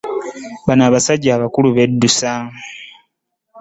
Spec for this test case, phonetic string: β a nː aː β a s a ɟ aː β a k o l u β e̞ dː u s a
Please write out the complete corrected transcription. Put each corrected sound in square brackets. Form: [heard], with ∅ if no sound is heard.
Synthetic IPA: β a [n] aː β a s a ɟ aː β a k [u] l u β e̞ dː u s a